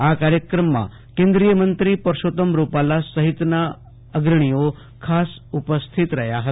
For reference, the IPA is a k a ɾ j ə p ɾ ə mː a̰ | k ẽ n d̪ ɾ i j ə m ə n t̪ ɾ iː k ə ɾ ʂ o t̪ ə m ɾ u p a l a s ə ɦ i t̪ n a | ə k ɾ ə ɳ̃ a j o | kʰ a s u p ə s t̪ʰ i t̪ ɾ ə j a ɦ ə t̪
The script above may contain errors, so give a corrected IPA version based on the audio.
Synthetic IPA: a k a ɾ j ə k ɾ ə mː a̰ | k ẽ n d̪ ɾ i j ə m ə n t̪ ɾ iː p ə ɾ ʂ o t̪ ə m ɾ u p a l a s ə ɦ i t̪ n a | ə ɡ ɾ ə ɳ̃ i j o | kʰ a s u p ə s t̪ʰ i t̪ ɾ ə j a ɦ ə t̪